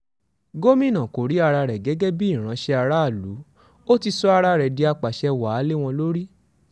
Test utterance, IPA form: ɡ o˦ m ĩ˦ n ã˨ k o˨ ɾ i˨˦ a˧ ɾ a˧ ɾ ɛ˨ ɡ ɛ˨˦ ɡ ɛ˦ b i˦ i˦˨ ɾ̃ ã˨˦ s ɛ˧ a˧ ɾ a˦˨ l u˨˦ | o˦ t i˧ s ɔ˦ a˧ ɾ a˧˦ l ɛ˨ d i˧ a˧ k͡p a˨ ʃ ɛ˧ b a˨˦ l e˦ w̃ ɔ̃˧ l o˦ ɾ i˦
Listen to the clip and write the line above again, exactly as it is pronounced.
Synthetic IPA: ɡ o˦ m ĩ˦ n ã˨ k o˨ ɾ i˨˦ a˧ ɾ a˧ ɾ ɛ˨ ɡ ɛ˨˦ ɡ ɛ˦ b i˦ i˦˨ ɾ̃ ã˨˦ ʃ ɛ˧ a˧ ɾ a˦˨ l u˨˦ | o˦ t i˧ s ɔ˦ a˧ ɾ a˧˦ ɾ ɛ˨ d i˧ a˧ k͡p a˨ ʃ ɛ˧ w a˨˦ l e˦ w̃ ɔ̃˧ l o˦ ɾ i˦